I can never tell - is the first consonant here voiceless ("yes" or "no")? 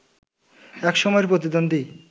yes